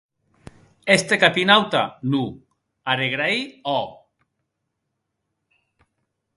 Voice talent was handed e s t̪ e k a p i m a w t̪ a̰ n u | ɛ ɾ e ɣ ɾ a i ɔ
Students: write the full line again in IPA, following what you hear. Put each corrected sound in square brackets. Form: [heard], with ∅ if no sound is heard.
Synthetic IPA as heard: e s t̪ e k a p i [n] a w t̪ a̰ n u | [a] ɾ e ɣ ɾ a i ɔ